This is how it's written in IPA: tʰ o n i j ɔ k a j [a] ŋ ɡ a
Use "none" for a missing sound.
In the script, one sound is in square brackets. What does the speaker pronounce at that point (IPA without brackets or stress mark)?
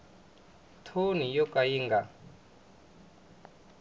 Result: i